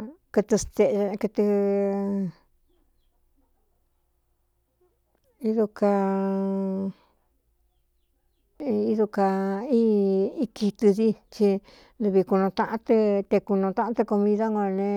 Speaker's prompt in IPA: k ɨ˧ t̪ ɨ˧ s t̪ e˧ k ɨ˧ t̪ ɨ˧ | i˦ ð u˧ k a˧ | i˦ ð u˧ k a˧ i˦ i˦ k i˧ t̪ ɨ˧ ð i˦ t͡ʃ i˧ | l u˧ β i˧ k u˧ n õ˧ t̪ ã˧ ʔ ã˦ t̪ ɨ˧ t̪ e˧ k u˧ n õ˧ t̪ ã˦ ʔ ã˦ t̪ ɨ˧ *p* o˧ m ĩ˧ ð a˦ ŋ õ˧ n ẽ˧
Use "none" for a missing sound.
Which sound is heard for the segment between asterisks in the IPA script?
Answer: k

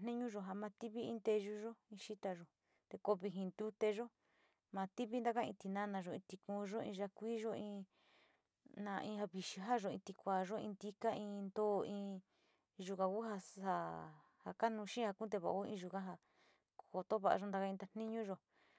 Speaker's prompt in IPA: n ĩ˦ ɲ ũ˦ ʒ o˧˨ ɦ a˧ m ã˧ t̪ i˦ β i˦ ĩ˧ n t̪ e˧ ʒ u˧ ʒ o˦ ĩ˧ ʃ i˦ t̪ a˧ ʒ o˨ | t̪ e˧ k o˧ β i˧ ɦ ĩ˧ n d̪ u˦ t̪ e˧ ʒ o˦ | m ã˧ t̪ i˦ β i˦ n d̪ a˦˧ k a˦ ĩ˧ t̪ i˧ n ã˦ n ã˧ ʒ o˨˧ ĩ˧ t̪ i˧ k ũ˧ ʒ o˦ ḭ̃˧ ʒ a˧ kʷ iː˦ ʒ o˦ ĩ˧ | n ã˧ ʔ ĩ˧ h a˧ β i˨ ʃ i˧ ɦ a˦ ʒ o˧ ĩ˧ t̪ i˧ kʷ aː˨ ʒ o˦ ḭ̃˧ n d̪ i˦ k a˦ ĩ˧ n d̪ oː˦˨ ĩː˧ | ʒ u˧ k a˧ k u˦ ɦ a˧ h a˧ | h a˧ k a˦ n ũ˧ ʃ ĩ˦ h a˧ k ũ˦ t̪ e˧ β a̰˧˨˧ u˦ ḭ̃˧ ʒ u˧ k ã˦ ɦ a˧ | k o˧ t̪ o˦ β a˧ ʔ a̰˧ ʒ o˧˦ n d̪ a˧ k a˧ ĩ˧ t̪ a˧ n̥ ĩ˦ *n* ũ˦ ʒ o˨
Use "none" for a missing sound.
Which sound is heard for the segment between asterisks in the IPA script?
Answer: ɲ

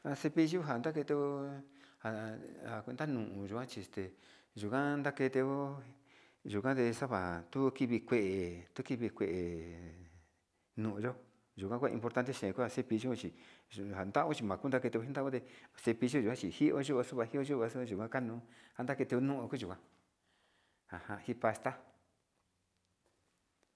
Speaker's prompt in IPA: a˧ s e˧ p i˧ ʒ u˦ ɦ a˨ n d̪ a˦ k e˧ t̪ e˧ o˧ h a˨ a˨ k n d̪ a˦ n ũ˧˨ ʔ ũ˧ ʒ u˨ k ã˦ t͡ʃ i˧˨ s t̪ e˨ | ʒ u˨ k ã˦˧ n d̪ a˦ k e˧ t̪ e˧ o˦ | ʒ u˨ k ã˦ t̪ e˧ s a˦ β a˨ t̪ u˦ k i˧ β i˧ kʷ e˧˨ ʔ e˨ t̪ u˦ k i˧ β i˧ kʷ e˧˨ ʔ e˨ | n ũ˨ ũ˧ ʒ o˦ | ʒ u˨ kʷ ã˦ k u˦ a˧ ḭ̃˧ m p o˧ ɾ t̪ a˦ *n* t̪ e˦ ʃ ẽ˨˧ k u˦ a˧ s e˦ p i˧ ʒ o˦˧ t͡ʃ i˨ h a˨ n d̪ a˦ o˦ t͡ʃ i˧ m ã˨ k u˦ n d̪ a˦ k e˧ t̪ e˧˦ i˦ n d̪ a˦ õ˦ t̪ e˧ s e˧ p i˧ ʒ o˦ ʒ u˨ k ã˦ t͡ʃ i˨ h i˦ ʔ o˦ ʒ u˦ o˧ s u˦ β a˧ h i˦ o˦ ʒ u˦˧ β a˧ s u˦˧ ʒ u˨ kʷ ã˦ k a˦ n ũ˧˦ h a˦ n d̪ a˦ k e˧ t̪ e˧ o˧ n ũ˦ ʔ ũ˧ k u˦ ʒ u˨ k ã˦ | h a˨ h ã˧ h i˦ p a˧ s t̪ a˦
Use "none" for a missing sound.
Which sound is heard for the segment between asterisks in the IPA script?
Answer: n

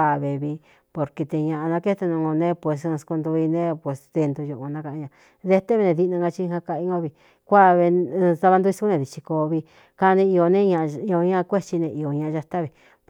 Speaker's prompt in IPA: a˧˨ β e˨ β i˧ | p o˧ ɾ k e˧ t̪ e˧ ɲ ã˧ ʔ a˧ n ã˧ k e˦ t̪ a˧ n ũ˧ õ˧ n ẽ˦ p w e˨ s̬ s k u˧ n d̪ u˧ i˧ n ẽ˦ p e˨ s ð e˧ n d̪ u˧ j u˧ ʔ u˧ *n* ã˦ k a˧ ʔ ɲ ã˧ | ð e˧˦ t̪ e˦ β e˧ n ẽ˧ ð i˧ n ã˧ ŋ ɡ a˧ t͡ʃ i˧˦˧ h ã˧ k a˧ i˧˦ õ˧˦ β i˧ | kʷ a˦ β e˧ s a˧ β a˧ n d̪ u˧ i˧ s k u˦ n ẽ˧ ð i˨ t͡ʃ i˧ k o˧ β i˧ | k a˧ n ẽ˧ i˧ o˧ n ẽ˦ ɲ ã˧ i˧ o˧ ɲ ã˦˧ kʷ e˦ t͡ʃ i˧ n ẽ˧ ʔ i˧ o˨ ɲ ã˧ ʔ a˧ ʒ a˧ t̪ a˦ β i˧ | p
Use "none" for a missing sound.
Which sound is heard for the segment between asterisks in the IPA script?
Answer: n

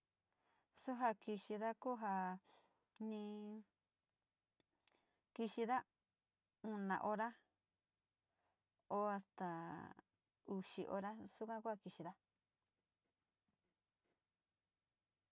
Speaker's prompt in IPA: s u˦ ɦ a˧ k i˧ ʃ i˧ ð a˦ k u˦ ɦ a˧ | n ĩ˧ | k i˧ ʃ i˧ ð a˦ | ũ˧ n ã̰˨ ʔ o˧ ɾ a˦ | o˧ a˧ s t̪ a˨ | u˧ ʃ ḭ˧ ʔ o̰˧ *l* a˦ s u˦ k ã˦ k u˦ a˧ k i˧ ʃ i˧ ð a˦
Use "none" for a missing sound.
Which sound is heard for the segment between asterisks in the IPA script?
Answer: ɾ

